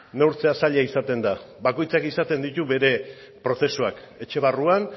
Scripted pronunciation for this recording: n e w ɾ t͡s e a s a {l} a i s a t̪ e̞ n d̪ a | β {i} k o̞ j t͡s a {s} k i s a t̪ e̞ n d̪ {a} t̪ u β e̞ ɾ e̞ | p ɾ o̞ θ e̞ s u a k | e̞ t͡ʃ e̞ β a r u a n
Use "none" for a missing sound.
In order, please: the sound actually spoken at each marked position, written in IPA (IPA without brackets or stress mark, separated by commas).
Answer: ʎ, a, none, i